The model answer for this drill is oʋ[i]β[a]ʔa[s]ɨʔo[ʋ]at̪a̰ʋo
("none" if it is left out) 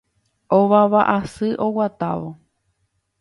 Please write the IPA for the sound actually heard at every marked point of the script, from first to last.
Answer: a, a, s, w

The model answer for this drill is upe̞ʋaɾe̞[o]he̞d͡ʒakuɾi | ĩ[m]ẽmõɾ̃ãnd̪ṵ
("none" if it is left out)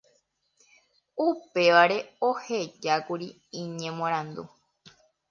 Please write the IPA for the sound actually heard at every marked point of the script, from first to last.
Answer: o, ɲ

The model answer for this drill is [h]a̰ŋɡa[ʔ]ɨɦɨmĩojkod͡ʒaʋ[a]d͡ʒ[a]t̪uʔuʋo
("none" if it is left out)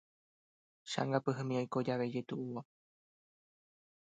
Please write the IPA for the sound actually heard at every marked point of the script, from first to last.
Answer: ʃ, p, e, e

